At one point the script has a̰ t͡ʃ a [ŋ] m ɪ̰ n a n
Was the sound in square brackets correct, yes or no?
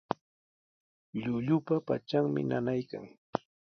yes